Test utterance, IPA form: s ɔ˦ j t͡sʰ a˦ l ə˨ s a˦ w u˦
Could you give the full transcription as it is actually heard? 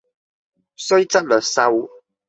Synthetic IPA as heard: s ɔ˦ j t͡s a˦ l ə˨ s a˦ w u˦